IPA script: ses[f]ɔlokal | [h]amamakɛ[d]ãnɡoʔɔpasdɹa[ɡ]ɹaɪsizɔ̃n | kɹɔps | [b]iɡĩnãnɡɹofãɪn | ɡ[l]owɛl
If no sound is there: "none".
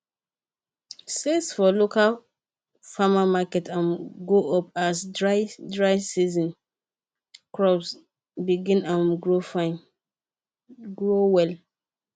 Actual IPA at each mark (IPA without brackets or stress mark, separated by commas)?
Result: f, f, t, d, b, ɹ